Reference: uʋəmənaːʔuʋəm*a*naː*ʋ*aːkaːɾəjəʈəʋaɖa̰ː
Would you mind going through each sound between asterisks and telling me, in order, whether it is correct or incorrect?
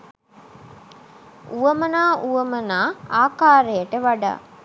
incorrect, incorrect

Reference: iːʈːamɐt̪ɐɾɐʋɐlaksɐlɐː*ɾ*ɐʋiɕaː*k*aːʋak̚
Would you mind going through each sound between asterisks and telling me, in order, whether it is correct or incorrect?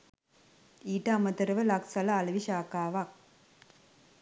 incorrect, correct

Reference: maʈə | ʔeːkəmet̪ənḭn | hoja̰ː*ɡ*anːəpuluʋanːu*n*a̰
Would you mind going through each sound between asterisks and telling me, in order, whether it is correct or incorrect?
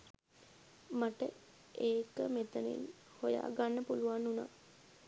correct, correct

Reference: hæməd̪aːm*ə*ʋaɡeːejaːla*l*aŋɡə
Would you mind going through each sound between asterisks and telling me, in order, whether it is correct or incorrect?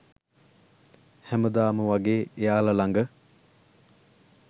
correct, correct

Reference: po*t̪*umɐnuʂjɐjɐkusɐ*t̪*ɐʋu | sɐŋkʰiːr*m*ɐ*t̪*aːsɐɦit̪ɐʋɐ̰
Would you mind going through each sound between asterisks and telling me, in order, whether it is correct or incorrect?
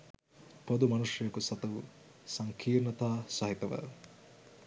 incorrect, correct, incorrect, correct

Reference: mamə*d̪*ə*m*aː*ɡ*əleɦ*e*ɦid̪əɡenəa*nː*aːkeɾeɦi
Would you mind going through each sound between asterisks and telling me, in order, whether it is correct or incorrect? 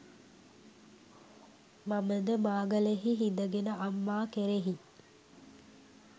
correct, correct, correct, incorrect, incorrect

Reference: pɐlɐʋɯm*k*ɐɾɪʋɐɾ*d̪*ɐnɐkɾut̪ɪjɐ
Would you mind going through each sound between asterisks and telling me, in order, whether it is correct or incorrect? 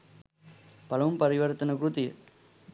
incorrect, incorrect

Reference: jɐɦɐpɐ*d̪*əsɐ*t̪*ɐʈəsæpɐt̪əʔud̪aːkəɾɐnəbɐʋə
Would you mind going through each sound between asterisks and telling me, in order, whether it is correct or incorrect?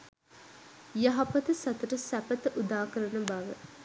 incorrect, correct

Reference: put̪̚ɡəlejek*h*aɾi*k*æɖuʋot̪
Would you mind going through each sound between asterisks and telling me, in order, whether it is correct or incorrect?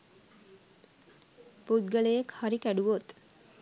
correct, correct

